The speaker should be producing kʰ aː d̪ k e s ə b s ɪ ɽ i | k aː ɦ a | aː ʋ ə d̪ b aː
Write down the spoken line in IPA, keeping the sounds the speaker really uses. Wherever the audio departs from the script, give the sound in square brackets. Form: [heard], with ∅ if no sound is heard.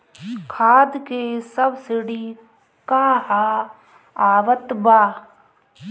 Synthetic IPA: kʰ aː d̪ k e s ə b s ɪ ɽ i | k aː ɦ a | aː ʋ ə [t̪] b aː